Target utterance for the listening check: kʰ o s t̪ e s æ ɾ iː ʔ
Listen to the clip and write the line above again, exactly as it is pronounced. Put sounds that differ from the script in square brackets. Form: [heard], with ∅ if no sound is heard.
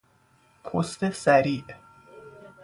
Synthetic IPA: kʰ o s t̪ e s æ ɾ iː ʔ